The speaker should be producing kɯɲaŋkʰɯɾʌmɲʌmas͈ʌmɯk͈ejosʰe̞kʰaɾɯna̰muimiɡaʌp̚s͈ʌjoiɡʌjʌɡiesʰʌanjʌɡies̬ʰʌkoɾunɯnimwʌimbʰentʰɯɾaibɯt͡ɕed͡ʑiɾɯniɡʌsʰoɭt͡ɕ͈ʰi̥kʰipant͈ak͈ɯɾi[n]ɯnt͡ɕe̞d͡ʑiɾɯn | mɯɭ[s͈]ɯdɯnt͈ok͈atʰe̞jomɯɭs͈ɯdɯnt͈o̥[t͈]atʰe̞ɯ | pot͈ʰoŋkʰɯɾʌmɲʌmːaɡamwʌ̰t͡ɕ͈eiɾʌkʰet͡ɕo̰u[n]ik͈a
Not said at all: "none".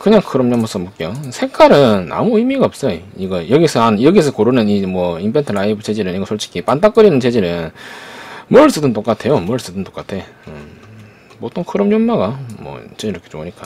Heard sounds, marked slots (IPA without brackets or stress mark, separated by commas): n, s͈, k͈, ɲ